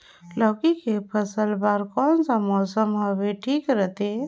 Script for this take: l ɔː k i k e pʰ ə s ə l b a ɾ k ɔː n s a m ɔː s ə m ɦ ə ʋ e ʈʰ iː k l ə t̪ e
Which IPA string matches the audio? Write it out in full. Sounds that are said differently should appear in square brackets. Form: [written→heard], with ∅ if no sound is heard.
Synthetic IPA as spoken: l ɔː k i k e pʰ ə s ə l b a ɾ k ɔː n s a m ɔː s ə m ɦ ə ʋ e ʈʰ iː k [l→ɾ] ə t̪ e